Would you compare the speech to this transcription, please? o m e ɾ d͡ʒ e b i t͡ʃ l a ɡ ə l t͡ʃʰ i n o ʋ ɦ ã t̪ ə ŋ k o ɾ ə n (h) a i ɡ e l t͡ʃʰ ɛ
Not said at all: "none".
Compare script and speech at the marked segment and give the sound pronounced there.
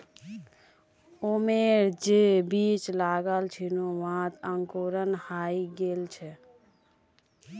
h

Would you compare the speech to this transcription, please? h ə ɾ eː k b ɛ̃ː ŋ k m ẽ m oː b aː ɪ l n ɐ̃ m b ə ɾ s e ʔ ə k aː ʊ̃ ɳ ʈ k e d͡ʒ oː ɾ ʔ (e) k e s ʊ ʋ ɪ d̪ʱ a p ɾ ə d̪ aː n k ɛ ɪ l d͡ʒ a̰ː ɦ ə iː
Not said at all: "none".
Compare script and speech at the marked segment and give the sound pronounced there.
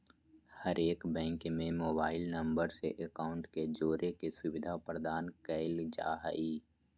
e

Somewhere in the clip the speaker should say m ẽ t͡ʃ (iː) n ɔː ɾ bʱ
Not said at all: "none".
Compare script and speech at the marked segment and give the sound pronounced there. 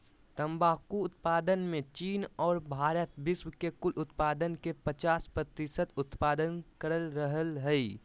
iː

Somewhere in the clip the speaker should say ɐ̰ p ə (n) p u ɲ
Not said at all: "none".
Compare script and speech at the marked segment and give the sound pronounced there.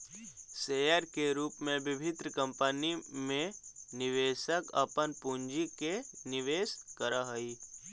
n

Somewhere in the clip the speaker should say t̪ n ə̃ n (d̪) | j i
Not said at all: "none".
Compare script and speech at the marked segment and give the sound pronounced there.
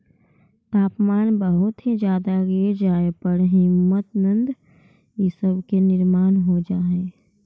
d̪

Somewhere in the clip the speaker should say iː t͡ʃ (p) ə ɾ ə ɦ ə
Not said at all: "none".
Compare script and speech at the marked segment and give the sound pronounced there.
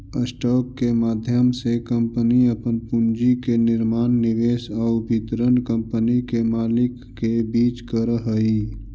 k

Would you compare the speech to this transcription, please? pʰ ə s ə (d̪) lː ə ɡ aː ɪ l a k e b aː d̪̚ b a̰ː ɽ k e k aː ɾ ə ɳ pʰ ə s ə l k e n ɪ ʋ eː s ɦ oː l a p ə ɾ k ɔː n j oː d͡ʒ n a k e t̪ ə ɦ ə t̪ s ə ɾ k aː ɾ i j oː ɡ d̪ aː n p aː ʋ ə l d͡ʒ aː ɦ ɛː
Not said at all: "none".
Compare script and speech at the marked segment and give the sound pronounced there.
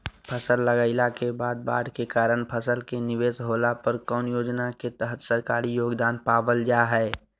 none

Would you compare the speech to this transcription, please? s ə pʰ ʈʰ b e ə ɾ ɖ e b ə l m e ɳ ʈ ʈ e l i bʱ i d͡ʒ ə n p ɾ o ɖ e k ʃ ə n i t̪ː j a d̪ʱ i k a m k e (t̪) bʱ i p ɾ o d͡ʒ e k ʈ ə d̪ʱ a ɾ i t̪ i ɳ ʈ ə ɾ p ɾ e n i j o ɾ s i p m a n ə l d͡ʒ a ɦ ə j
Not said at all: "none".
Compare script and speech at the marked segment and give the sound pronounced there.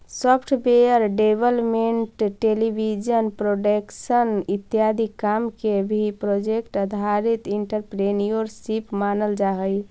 none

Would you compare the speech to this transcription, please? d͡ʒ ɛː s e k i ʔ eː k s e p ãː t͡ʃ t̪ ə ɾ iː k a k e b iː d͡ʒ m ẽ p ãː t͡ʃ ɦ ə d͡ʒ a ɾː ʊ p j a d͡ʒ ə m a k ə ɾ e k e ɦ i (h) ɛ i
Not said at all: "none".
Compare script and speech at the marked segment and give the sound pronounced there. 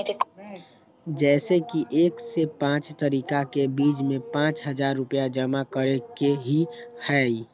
h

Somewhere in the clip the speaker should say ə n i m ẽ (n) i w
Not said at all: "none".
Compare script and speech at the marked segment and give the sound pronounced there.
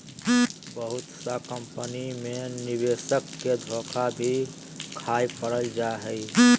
n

